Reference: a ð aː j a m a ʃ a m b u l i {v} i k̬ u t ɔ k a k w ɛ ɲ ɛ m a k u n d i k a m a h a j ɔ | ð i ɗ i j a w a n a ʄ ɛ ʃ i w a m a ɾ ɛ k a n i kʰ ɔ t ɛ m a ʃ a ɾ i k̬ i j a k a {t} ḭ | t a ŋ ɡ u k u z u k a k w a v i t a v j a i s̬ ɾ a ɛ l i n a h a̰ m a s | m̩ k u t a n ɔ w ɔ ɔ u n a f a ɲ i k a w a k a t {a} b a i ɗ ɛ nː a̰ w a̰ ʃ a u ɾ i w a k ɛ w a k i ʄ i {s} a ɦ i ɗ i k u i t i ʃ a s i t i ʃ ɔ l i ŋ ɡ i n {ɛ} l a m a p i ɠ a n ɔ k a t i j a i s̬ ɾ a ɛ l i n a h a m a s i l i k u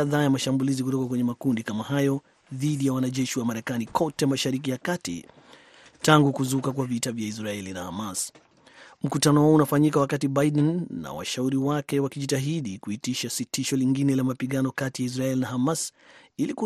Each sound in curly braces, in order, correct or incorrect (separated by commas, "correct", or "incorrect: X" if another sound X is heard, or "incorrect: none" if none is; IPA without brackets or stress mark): incorrect: z, correct, incorrect: i, incorrect: t, correct